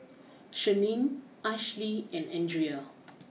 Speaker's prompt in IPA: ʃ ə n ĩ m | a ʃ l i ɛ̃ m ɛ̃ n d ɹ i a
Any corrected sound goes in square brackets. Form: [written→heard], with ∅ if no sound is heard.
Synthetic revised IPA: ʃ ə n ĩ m | a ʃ l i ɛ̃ [m→n] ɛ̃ n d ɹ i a